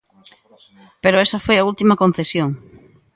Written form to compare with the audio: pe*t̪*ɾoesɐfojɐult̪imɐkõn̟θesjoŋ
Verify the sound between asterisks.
incorrect: none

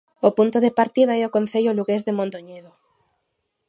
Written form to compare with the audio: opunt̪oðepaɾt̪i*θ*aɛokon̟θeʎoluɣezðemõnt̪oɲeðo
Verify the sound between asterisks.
incorrect: ð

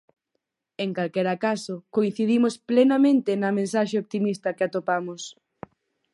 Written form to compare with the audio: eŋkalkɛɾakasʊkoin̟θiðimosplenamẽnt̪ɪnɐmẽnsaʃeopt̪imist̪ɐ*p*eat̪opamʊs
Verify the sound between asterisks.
incorrect: k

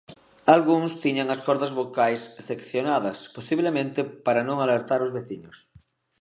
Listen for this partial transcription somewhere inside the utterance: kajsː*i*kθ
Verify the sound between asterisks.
incorrect: e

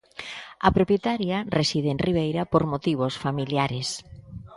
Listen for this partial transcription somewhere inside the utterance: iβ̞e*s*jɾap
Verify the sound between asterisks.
incorrect: none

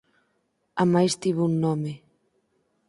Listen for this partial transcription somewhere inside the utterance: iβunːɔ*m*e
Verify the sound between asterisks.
correct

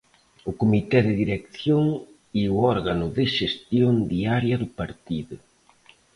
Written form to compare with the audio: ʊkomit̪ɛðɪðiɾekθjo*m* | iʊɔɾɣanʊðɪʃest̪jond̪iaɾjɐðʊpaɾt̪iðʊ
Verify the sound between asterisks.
incorrect: ŋ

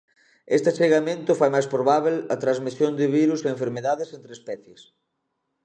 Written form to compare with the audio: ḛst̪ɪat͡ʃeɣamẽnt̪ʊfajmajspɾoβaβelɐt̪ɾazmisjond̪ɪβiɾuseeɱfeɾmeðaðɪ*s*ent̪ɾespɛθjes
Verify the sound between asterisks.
correct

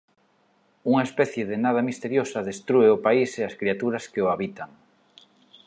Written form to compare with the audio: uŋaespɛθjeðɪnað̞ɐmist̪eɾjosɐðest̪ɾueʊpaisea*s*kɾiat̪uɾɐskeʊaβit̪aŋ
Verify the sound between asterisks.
correct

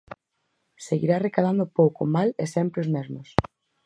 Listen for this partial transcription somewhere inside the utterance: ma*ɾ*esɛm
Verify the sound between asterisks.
incorrect: l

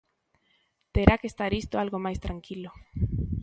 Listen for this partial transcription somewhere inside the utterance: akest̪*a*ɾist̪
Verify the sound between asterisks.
correct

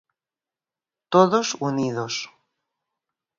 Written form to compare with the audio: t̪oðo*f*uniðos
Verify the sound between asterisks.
incorrect: s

